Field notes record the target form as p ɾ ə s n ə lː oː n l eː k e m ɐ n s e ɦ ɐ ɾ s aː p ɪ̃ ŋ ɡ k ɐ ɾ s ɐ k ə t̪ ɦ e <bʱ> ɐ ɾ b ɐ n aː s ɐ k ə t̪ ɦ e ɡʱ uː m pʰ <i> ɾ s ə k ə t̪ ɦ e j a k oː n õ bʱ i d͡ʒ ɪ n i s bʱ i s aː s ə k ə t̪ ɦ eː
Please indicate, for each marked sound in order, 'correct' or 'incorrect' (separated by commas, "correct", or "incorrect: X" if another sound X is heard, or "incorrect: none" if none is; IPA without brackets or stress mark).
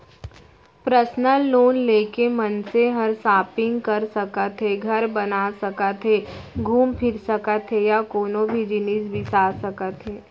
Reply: incorrect: ɡʱ, incorrect: ɪ